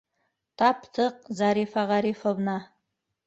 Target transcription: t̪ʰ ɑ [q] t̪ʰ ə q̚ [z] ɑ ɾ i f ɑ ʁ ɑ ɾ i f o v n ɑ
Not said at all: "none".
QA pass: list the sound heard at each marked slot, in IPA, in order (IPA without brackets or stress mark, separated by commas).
p, z